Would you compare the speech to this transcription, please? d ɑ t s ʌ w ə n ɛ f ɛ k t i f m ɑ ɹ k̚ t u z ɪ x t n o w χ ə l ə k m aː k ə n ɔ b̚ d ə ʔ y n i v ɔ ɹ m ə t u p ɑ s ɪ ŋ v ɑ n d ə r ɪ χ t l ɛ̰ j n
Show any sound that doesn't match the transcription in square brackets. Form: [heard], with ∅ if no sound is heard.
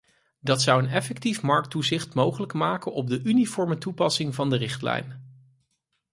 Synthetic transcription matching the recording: d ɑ t s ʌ w ə n ɛ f ɛ k t i f m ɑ ɹ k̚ t u z ɪ [χ] t [m] o w χ ə l ə k m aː k ə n ɔ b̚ d ə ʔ y n i [f] ɔ ɹ m ə t u p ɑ s ɪ ŋ v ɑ n d ə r ɪ χ t l ɛ̰ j n